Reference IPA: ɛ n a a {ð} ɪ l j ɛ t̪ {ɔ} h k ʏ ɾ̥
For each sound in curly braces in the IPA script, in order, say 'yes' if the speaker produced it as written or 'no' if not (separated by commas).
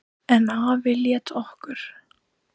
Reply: no, yes